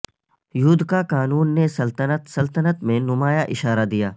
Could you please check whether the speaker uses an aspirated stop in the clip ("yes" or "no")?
no